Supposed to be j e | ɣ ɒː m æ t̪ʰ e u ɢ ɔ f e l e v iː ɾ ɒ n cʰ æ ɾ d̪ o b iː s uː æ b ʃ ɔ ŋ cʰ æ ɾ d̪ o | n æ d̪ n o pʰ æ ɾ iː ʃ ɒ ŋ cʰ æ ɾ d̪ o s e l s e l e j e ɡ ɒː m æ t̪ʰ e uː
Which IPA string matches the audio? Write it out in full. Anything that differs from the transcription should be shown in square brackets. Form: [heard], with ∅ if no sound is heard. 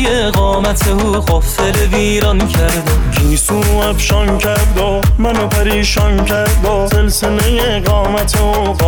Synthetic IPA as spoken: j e | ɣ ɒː m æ t̪ʰ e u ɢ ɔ f e l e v iː ɾ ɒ n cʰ æ ɾ d̪ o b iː s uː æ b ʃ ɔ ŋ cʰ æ ɾ d̪ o | [m] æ [∅] n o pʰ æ ɾ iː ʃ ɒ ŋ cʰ æ ɾ d̪ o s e l s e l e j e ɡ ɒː m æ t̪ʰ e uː